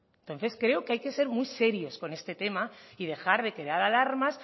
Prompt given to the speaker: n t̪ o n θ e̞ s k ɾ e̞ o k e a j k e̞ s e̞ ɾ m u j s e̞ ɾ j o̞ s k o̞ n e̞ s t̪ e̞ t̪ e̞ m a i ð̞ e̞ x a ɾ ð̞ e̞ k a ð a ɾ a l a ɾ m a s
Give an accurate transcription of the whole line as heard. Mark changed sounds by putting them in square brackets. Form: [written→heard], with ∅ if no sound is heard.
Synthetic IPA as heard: n t̪ o n θ e̞ s k ɾ e̞ o k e a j k e̞ s e̞ ɾ m u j s e̞ ɾ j o̞ s k o̞ n e̞ s t̪ e̞ t̪ e̞ m a i ð̞ e̞ x a ɾ ð̞ e̞ k [a→e] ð a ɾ a l a ɾ m a s

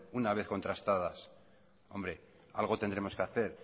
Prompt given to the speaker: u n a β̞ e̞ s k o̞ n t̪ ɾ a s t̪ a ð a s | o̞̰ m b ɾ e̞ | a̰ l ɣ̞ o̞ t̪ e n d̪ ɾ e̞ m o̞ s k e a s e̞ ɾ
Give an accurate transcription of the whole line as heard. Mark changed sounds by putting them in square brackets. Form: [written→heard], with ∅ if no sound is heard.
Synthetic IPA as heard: u n a β̞ e̞ [s→θ] k o̞ n t̪ ɾ a s t̪ a ð a s | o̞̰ m b ɾ e̞ | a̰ l ɣ̞ o̞ t̪ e n d̪ ɾ e̞ m o̞ s k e a [s→θ] e̞ ɾ

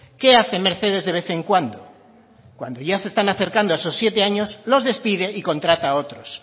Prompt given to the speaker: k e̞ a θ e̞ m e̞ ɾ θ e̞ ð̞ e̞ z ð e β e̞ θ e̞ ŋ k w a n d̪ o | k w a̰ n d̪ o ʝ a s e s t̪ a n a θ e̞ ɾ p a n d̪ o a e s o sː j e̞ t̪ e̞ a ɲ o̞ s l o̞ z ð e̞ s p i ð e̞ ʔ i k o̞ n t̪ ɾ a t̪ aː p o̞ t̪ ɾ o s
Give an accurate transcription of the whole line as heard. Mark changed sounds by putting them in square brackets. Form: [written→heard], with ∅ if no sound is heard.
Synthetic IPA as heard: k e̞ a θ e̞ m e̞ ɾ θ e̞ ð̞ e̞ z ð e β e̞ θ e̞ ŋ k w a n d̪ o | k w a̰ n d̪ o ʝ a s e s t̪ a n a θ e̞ ɾ [p→k] a n d̪ o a e s o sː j e̞ t̪ e̞ a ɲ o̞ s l o̞ z ð e̞ s p i ð e̞ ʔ i k o̞ n t̪ ɾ a t̪ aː [p→∅] o̞ t̪ ɾ o s

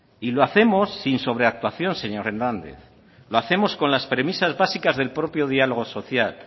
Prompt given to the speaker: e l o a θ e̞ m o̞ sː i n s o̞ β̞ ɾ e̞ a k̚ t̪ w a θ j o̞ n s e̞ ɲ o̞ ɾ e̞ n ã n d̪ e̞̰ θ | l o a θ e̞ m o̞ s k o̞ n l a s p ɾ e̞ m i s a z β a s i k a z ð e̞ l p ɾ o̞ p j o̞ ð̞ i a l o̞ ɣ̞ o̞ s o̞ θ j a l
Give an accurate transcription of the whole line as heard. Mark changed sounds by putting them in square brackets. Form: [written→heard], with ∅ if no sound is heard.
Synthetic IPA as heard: [e→i] l o a θ e̞ m o̞ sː i n s o̞ β̞ ɾ e̞ a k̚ t̪ w a θ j o̞ n s e̞ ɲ o̞ ɾ e̞ n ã n d̪ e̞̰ θ | l o a θ e̞ m o̞ s k o̞ n l a s p ɾ e̞ m i s a z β a s i k a z ð e̞ l p ɾ o̞ p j o̞ ð̞ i a l o̞ ɣ̞ o̞ s o̞ θ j a l

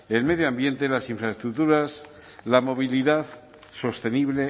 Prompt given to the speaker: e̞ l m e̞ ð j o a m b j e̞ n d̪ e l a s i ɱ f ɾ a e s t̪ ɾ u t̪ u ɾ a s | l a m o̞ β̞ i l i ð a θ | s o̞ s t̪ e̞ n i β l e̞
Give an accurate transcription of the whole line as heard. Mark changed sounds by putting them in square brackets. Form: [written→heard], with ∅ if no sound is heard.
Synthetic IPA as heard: e̞ l m e̞ ð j o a m b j e̞ n [d̪→t̪] e l a s i ɱ f ɾ a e s t̪ ɾ u t̪ u ɾ a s | l a m o̞ β̞ i l i ð a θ | s o̞ s t̪ e̞ n i β l e̞

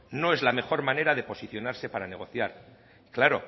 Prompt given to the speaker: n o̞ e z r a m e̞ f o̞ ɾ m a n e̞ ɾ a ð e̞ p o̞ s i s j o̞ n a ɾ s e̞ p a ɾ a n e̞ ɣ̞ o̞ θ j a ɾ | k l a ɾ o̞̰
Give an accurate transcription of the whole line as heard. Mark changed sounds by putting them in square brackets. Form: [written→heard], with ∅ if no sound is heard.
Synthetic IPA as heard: n o̞ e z [r→l] a m e̞ [f→x] o̞ ɾ m a n e̞ ɾ a ð e̞ p o̞ s i [s→θ] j o̞ n a ɾ s e̞ p a ɾ a n e̞ ɣ̞ o̞ θ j a ɾ | k l a ɾ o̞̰

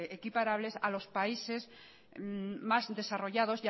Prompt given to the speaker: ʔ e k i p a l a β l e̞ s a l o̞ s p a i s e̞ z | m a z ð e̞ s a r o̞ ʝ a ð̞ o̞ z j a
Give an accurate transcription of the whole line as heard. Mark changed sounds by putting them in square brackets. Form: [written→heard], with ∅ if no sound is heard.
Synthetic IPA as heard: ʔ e k i p a [l→ɾ] a β l e̞ s a l o̞ s p a i s e̞ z | m a z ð e̞ s a r o̞ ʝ a ð̞ o̞ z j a

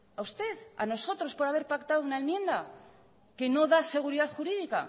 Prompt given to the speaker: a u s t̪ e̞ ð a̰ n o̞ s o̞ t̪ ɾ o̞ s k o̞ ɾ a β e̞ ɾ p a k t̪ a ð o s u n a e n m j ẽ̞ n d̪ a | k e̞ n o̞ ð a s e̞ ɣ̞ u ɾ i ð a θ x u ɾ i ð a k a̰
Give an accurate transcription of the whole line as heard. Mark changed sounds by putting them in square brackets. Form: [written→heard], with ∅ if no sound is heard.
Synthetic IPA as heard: a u s t̪ e̞ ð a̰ n o̞ s o̞ t̪ ɾ o̞ s [k→p] o̞ ɾ a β e̞ ɾ p a k t̪ a ð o [s→∅] u n a e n m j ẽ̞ n d̪ a | k e̞ n o̞ ð a s e̞ ɣ̞ u ɾ i ð a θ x u ɾ i ð [a→i] k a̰

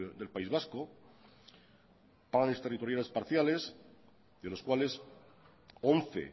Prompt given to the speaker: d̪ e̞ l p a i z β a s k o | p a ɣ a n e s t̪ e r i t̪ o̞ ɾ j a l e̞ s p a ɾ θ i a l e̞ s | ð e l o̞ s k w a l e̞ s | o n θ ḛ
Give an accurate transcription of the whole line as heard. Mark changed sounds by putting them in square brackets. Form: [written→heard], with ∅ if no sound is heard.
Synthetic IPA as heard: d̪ e̞ l p a i z β a s k o | p a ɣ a n e s t̪ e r i t̪ o̞ ɾ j a l e̞ s p a ɾ θ [i→j] a l e̞ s | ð e l o̞ s k w a l e̞ s | o n θ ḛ

